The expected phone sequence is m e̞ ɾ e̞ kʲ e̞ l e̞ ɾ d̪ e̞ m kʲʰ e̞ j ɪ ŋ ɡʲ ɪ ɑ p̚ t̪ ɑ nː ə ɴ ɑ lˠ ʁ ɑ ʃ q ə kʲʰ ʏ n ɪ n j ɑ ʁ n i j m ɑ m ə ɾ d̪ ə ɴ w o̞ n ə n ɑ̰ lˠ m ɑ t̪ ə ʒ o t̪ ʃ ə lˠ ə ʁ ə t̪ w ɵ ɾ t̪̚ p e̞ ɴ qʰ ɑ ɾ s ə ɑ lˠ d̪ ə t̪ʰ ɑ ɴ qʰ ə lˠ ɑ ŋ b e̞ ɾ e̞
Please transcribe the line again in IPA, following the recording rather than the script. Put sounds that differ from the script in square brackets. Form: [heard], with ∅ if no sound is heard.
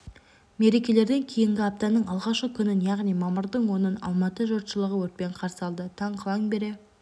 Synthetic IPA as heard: m e̞ ɾ e̞ kʲ e̞ l e̞ ɾ d̪ e̞ [ŋ] kʲʰ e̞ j ɪ ŋ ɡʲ ɪ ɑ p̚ t̪ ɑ [n] ə ɴ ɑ lˠ ʁ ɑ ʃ q ə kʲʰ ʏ n ɪ n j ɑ ʁ n i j m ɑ m ə ɾ d̪ ə ɴ w o̞ n ə n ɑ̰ lˠ m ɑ t̪ ə ʒ o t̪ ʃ ə lˠ ə ʁ ə [∅] w ɵ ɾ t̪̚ p e̞ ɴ qʰ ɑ ɾ s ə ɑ lˠ d̪ ə t̪ʰ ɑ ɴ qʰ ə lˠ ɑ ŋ b e̞ ɾ e̞